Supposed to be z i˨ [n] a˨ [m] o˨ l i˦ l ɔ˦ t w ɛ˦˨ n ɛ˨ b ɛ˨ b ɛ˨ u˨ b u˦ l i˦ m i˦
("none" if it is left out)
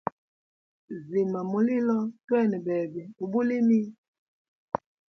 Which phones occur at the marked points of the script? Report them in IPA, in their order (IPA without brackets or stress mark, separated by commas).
m, m